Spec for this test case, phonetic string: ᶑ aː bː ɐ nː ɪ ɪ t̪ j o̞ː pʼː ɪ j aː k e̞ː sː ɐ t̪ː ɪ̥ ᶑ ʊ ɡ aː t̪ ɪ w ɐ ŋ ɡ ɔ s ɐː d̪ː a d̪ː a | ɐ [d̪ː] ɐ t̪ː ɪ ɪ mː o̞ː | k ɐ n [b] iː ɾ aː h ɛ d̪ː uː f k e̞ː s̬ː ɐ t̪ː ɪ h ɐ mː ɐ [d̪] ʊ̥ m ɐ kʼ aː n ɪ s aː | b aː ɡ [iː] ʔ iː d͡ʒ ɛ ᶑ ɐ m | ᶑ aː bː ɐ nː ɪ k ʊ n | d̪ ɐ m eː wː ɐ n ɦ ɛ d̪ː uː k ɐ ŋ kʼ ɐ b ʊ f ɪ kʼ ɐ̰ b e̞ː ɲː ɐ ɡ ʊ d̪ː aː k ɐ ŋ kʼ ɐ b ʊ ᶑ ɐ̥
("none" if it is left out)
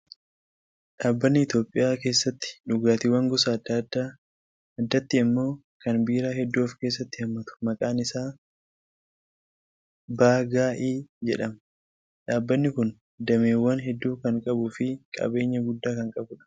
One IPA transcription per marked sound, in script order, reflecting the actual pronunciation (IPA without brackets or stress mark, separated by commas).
d̪ː, b, t̪, aː